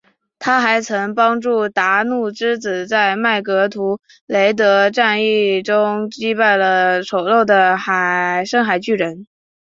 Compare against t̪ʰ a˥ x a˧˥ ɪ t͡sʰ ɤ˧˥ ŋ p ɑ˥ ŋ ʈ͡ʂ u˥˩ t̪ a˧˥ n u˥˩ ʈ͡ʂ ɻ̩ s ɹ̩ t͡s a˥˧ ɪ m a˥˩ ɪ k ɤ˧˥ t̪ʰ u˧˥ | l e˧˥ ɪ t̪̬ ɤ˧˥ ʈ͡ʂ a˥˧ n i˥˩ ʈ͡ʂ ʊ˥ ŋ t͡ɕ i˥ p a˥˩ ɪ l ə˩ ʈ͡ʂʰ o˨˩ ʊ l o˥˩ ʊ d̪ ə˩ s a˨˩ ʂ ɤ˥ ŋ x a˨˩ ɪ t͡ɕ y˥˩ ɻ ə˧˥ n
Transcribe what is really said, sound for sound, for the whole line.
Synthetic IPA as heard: t̪ʰ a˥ x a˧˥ ɪ t͡sʰ ɤ˧˥ ŋ p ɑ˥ ŋ ʈ͡ʂ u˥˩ t̪ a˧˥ n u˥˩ ʈ͡ʂ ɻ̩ t͡s ɹ̩ t͡s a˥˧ ɪ m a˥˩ ɪ k ɤ˧˥ t̪ʰ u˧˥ | l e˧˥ ɪ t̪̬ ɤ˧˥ ʈ͡ʂ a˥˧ n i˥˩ ʈ͡ʂ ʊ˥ ŋ t͡ɕ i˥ p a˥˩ ɪ l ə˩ ʈ͡ʂʰ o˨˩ ʊ l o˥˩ ʊ d̪ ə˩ x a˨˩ ʂ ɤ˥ ŋ x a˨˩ ɪ t͡ɕ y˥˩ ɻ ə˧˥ n

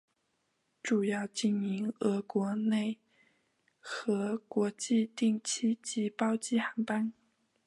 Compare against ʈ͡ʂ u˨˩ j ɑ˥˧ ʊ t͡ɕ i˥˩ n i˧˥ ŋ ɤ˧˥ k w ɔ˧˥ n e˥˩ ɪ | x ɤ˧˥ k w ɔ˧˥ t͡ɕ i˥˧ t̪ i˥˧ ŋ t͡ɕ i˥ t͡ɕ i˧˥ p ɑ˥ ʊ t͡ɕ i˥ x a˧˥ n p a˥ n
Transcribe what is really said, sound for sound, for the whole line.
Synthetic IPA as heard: ʈ͡ʂ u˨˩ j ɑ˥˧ ʊ t͡ɕ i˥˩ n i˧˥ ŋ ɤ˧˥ k w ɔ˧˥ n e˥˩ ɪ | x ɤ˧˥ k w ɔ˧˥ t͡ɕ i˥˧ t̪ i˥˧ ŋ t͡ɕʰ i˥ t͡ɕ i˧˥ p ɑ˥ ʊ t͡ɕ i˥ x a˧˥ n p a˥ n

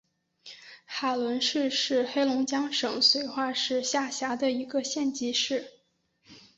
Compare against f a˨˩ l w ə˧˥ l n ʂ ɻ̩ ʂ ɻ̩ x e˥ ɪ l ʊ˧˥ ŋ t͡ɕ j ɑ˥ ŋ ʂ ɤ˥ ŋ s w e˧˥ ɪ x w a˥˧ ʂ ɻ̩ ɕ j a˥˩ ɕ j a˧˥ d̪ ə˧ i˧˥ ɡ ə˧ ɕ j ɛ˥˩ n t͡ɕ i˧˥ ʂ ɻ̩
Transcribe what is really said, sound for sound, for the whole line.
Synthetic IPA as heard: x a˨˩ l w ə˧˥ n ʂ ɻ̩ ʂ ɻ̩ x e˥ ɪ l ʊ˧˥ ŋ t͡ɕ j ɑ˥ ŋ ʂ ɤ˨˩ ŋ s w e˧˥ ɪ x w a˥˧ ʂ ɻ̩ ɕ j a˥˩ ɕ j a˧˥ d̪ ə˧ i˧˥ ɡ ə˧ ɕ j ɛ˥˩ n t͡ɕ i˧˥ ʂ ɻ̩

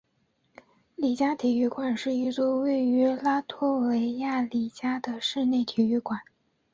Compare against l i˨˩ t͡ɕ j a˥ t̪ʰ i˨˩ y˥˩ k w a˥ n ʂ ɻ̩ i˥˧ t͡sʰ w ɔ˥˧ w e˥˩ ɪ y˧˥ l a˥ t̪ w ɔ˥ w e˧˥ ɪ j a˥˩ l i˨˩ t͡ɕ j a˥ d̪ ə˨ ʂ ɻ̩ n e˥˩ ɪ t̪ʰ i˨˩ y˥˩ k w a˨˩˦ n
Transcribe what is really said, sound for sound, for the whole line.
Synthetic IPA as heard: l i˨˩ t͡ɕ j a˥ t̪ʰ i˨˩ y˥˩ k w a˨˩ n ʂ ɻ̩ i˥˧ t͡s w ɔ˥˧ w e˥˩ ɪ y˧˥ l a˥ t̪ʰ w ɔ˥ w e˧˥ ɪ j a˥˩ l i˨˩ t͡ɕ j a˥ d̪ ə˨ ʂ ɻ̩ n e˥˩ ɪ t̪ʰ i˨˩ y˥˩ k w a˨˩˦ n

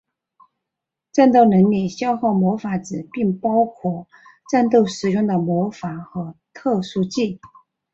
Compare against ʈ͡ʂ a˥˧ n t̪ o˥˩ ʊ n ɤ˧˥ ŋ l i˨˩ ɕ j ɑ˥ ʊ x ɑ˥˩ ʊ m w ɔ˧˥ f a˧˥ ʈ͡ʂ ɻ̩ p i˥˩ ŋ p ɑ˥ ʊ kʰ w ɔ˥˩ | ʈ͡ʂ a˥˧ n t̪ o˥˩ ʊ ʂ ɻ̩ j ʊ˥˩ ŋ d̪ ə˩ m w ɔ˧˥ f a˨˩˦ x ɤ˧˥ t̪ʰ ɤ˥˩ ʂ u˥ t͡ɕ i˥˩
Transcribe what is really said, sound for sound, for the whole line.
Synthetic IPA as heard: ʈ͡ʂ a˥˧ n t̪ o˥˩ ʊ n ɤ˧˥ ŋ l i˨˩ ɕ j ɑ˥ ʊ x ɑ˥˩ ʊ m w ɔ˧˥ f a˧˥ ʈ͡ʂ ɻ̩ p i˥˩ ŋ p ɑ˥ ʊ kʰ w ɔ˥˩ | ʈ͡ʂ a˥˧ n t̪ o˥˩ ʊ ʂ ɻ̩ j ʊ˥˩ ŋ d̪ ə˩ m w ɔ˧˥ f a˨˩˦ x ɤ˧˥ t̪ʰ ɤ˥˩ ʂ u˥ t͡ɕ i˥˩

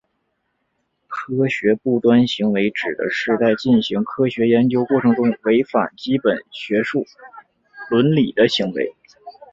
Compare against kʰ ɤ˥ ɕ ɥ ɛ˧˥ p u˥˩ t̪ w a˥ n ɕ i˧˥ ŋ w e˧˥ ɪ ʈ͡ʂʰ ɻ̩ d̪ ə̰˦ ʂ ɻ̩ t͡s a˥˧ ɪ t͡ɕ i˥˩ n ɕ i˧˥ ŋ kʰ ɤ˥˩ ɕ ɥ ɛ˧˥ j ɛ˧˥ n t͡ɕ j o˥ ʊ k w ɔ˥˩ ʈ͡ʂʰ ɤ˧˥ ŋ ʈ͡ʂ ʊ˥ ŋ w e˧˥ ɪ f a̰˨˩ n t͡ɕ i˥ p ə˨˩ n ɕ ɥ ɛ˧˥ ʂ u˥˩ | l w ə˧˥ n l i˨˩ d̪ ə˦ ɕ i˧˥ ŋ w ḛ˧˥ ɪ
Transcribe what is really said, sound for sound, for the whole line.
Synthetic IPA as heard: kʰ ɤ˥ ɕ ɥ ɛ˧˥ p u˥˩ t̪ w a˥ n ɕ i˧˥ ŋ w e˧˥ ɪ ʈ͡ʂ ɻ̩ d̪ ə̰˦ ʂ ɻ̩ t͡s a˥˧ ɪ t͡ɕ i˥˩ n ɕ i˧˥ ŋ kʰ ɤ˥ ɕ ɥ ɛ˧˥ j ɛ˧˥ n t͡ɕ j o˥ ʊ k w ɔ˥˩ ʈ͡ʂʰ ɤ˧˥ ŋ ʈ͡ʂ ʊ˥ ŋ w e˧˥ ɪ f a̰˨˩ n t͡ɕ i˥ p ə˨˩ n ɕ ɥ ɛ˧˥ ʂ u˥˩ | l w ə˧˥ n l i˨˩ d̪ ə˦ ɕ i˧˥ ŋ w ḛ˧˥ ɪ

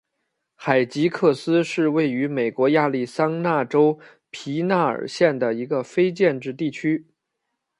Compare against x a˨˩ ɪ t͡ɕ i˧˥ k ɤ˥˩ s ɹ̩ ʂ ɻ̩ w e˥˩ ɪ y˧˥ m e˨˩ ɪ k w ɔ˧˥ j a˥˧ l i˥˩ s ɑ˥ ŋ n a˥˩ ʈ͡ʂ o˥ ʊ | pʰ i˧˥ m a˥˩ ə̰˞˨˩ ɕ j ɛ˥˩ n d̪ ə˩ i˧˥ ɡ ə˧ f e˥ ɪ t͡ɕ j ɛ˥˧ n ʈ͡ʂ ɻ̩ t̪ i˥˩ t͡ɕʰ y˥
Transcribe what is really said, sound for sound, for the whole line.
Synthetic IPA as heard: x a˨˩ ɪ t͡ɕ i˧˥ kʰ ɤ˥˩ s ɹ̩ ʂ ɻ̩ w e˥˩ ɪ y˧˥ m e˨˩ ɪ k w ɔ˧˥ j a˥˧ l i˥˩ s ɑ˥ ŋ n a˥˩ ʈ͡ʂ o˥ ʊ | pʰ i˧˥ n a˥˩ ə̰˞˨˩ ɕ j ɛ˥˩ n d̪ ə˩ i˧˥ ɡ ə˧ f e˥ ɪ t͡ɕ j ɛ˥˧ n ʈ͡ʂ ɻ̩ t̪ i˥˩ t͡ɕʰ y˥

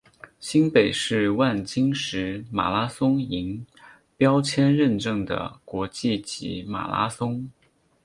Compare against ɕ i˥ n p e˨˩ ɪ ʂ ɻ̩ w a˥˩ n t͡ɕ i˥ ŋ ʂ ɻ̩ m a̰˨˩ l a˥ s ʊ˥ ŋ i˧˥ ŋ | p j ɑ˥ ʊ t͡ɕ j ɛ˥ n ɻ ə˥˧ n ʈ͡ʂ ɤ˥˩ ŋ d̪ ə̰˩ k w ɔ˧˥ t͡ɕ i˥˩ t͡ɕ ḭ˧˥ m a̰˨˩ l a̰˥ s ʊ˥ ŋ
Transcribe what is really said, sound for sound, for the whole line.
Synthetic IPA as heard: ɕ i˥ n p e˨˩ ɪ ʂ ɻ̩ w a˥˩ n t͡ɕ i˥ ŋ ʂ ɻ̩ m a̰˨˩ l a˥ s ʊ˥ ŋ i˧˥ ŋ | p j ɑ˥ ʊ t͡ɕʰ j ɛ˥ n ɻ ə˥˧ n ʈ͡ʂ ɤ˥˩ ŋ d̪ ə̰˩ k w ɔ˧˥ t͡ɕ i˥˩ t͡ɕ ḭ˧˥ m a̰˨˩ l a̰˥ s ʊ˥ ŋ

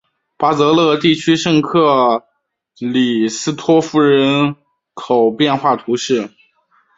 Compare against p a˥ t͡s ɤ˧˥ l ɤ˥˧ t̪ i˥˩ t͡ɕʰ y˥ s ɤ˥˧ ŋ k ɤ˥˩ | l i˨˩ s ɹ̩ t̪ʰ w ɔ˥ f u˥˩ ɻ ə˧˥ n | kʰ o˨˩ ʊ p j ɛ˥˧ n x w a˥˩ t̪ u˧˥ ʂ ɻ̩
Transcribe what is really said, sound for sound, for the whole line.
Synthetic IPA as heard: p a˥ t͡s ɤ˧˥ l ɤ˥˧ t̪ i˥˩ t͡ɕʰ y˥ ʂ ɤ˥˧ ŋ kʰ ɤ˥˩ | l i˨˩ s ɹ̩ t̪ʰ w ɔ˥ f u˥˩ ɻ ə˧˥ n | kʰ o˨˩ ʊ p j ɛ˥˧ n x w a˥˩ t̪ʰ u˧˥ ʂ ɻ̩

